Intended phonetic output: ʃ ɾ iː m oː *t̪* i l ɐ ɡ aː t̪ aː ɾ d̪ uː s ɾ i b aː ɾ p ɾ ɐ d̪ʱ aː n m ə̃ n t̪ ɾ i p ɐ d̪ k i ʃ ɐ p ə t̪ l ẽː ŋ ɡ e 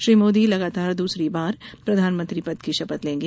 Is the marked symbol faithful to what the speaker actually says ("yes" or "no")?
no